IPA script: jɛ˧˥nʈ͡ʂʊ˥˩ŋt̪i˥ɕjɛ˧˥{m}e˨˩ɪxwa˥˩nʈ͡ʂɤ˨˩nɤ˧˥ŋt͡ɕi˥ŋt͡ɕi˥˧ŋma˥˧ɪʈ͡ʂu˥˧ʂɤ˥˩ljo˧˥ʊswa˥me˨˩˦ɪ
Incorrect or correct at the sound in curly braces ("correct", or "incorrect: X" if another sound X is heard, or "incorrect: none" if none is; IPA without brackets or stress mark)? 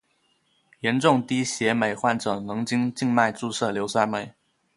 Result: correct